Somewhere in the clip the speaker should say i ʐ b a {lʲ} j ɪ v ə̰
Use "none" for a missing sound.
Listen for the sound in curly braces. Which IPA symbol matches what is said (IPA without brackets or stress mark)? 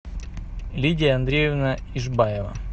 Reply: none